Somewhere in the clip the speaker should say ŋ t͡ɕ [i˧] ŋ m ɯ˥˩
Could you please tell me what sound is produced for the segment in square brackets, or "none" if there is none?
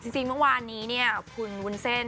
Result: i˧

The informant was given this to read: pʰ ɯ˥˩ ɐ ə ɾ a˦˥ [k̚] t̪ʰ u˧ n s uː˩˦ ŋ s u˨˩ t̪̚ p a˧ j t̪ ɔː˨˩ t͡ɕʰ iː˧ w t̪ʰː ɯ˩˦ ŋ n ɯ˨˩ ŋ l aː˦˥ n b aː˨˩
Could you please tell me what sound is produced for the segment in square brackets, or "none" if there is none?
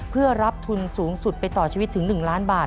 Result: p̚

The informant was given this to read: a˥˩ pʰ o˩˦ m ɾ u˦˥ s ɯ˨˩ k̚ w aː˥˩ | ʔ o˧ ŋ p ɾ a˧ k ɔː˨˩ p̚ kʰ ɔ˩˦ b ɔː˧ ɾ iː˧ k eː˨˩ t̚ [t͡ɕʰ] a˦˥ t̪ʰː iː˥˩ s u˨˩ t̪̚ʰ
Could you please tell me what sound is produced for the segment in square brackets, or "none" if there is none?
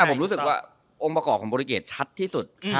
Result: t͡ɕʰ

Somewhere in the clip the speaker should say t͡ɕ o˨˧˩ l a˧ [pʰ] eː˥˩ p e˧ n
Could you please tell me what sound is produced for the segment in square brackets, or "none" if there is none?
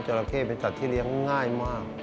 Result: kʰ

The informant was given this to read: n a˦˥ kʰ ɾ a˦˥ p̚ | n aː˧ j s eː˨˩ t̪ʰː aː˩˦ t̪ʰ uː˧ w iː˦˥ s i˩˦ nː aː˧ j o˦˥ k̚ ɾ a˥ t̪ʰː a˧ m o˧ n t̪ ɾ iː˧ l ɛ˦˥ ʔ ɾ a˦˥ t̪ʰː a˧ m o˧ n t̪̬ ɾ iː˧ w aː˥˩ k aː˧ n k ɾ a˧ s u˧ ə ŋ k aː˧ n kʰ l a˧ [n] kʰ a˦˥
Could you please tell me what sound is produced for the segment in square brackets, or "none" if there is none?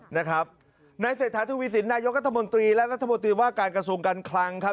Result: ŋ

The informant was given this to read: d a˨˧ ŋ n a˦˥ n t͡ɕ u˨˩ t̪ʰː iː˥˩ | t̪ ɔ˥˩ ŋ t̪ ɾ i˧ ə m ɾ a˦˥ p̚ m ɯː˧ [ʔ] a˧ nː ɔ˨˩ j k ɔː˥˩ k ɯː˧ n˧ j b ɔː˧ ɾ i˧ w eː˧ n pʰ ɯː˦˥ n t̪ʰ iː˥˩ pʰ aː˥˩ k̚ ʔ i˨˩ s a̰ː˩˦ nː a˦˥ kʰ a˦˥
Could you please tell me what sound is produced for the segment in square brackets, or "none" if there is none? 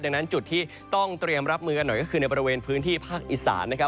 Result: k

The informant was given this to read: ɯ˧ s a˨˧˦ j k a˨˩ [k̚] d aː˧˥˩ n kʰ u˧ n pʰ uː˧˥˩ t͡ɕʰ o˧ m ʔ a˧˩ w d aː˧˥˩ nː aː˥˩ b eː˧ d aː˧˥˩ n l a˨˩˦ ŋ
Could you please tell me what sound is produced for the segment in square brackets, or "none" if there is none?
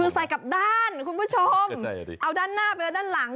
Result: p̚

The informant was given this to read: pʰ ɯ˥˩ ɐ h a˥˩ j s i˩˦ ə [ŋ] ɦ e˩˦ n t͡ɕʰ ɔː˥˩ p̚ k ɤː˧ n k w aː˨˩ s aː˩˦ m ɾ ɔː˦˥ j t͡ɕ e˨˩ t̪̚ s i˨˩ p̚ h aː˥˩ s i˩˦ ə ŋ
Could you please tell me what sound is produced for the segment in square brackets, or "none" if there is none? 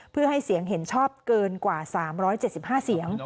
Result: ŋ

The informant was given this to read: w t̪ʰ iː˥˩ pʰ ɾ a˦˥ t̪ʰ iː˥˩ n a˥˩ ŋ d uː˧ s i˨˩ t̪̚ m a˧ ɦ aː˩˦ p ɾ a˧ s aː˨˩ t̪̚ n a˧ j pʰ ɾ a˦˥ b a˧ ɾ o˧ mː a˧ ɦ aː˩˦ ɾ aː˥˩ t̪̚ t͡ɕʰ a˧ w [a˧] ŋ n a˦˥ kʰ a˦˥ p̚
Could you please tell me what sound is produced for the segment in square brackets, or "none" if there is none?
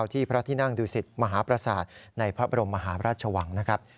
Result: a˩˦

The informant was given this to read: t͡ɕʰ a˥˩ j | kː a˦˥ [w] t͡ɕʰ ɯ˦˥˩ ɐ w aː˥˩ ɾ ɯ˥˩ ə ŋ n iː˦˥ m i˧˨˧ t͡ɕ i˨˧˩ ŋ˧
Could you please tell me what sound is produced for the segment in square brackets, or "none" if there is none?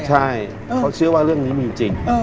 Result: w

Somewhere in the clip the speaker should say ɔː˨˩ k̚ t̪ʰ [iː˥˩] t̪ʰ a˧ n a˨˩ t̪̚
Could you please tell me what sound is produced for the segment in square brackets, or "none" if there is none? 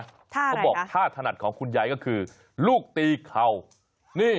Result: aː˥˩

